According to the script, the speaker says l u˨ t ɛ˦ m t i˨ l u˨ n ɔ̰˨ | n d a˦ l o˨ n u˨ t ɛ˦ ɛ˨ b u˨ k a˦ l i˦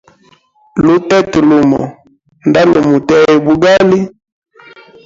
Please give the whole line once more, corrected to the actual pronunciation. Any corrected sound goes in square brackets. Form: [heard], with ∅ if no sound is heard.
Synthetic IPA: l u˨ t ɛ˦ [∅] t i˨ l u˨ [m] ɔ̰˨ | n d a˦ l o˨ [m] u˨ t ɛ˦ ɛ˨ b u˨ [ɡ] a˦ l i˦